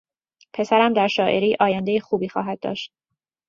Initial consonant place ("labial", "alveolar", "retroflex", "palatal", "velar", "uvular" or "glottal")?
labial